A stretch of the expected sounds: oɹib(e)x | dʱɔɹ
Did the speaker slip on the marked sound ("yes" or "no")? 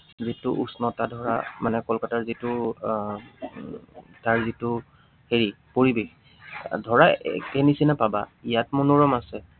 no